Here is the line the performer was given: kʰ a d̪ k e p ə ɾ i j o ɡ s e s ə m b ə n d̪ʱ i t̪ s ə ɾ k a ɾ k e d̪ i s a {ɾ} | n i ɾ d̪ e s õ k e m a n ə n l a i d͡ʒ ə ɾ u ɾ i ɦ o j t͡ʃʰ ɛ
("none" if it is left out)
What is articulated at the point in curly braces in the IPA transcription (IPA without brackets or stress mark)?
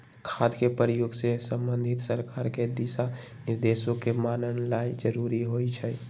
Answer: none